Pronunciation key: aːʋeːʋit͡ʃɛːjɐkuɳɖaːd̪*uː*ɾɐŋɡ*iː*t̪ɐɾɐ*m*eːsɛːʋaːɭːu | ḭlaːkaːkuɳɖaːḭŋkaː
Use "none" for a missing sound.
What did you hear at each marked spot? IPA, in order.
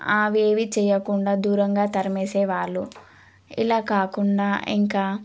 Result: uː, aː, m

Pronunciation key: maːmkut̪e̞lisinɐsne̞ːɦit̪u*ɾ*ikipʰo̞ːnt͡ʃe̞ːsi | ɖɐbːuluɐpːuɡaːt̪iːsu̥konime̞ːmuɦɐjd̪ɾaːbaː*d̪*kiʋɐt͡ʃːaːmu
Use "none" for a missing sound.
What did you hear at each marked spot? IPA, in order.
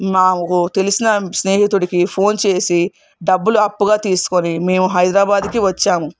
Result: ɽ, d̪

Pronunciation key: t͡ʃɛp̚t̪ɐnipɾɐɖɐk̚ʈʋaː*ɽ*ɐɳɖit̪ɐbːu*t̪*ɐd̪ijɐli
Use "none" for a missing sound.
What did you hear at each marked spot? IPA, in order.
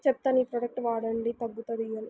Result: ɽ, t̪

